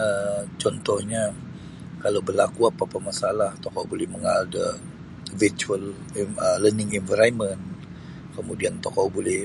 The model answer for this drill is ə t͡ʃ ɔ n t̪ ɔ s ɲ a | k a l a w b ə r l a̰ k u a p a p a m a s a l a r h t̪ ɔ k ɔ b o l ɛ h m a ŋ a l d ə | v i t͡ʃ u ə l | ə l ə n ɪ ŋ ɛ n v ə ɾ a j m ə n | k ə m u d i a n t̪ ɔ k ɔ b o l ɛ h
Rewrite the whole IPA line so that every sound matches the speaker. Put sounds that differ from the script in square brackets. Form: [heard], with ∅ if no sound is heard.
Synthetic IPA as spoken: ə t͡ʃ ɔ n t̪ ɔ [h] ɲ a | k a l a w b ə r l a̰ k u a p a p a m a s a l a [∅] h t̪ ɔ k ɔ b o l ɛ h m [ə] ŋ a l d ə | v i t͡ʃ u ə l | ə l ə n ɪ ŋ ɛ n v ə ɾ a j m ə n | k ə m u d i a n t̪ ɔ k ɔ b o l ɛ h